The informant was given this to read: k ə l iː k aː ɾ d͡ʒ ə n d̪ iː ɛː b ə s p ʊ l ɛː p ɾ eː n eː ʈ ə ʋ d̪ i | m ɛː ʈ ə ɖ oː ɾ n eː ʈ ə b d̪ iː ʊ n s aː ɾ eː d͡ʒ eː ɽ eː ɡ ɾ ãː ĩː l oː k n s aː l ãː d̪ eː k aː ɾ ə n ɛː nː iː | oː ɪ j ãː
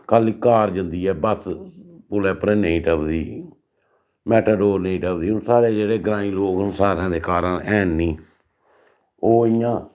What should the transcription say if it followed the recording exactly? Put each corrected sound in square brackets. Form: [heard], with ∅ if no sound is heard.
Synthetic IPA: k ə l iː k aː ɾ d͡ʒ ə n d̪ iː ɛː b ə s p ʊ l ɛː p ɾ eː n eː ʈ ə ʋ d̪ [iː] | m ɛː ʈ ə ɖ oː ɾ n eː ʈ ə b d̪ iː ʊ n s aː ɾ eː d͡ʒ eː ɽ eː ɡ ɾ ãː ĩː l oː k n s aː [ɾ] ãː d̪ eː k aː ɾ ə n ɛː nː iː | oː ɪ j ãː